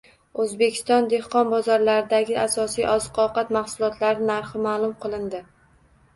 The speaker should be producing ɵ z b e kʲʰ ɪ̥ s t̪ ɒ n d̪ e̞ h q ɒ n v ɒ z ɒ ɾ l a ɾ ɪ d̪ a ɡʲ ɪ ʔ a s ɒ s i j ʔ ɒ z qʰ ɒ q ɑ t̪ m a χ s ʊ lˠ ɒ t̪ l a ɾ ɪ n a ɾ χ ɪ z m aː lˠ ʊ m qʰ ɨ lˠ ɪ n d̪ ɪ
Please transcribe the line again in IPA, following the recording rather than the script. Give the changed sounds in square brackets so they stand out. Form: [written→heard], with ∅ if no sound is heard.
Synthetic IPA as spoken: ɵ z b e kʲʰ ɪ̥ s t̪ ɒ n d̪ e̞ h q ɒ n [v→b] ɒ z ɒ ɾ l a ɾ ɪ d̪ a ɡʲ ɪ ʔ a s ɒ s i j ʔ ɒ z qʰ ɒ q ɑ t̪ m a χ s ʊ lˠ ɒ t̪ l a ɾ ɪ n a ɾ χ ɪ [z→∅] m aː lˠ ʊ m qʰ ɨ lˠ ɪ n d̪ ɪ